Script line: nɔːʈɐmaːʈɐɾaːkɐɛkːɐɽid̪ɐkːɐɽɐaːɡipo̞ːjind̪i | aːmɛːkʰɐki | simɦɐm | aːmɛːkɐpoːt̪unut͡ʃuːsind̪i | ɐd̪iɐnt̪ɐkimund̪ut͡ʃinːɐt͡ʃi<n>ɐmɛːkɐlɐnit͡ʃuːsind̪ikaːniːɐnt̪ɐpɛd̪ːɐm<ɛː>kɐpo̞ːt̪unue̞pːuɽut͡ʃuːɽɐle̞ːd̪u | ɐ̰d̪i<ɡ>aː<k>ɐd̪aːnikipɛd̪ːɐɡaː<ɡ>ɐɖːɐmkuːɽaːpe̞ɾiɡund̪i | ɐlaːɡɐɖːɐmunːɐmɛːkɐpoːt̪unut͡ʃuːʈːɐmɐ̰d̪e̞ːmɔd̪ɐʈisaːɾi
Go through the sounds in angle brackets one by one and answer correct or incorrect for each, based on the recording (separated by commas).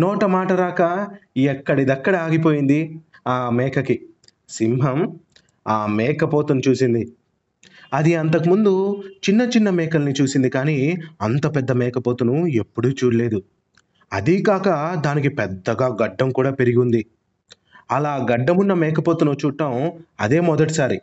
incorrect, correct, incorrect, correct, correct